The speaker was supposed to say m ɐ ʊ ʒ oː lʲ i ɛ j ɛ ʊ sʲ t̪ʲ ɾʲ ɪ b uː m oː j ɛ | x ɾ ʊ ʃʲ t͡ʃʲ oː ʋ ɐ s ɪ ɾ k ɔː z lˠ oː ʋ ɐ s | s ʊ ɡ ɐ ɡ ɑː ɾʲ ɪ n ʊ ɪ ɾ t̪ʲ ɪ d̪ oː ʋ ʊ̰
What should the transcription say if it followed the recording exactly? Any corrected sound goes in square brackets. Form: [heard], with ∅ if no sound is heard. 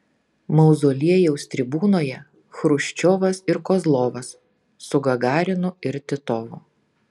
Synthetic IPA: m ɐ ʊ [z] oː lʲ i ɛ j ɛ ʊ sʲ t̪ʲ ɾʲ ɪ b uː [n] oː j ɛ | x ɾ ʊ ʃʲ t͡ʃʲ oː ʋ ɐ s ɪ ɾ k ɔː z lˠ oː ʋ ɐ s | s ʊ ɡ ɐ ɡ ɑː ɾʲ ɪ n ʊ ɪ ɾ t̪ʲ ɪ [t̪] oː ʋ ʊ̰